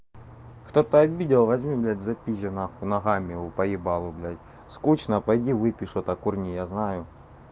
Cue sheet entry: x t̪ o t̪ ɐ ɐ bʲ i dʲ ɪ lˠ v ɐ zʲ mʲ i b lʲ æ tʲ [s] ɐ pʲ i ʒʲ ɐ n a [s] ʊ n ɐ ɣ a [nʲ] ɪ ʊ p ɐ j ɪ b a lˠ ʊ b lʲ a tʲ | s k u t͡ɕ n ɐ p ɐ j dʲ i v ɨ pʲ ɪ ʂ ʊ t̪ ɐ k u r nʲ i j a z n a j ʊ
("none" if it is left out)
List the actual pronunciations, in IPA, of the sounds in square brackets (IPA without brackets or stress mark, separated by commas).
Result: z, x, mʲ